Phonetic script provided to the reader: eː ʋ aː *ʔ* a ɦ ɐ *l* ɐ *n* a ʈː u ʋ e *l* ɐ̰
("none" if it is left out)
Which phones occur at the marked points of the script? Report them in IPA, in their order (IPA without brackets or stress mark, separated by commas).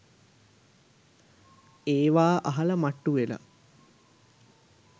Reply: ʔ, l, m, l